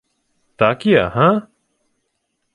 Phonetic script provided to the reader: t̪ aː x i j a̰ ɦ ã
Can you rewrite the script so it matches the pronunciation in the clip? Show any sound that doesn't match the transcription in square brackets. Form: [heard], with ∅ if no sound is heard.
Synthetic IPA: t̪ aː [k] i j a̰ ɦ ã